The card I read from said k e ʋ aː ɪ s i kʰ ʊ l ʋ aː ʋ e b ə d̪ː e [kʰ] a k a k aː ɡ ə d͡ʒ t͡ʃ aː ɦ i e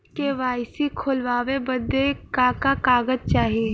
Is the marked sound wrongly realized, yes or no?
yes